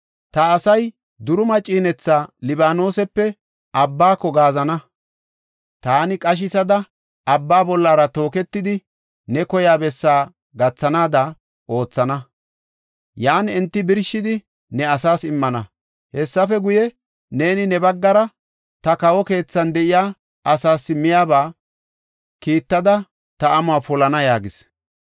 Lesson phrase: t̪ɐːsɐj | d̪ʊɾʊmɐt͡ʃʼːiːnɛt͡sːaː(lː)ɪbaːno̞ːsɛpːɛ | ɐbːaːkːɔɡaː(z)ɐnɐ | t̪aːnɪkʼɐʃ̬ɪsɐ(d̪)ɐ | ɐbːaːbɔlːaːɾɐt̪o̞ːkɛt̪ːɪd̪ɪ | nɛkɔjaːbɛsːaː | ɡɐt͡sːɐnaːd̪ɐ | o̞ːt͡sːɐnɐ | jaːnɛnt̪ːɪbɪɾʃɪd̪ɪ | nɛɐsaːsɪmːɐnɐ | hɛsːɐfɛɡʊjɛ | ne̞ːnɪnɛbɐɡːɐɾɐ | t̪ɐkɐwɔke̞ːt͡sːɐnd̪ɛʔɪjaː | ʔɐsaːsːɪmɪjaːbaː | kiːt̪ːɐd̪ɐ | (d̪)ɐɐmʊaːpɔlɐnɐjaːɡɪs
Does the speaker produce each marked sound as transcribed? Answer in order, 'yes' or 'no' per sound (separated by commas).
no, yes, yes, no